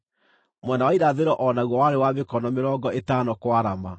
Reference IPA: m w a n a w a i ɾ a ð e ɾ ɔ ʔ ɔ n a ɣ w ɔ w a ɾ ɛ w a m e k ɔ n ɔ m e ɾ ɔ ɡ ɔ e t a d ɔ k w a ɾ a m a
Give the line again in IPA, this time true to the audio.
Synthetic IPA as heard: m w ɛ n a w a i ɾ a ð e ɾ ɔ ʔ ɔ n a ɣ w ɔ w a ɾ e w a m e k ɔ n ɔ m e ɾ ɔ ɡ ɔ e t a n ɔ k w a ɾ a m a